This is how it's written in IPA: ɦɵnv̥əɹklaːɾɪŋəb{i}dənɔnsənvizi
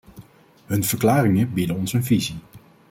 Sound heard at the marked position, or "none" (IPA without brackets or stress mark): i